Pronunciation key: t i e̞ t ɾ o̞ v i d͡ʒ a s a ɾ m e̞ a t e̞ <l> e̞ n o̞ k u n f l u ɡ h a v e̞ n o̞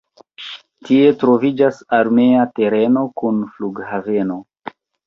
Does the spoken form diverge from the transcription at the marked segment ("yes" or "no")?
yes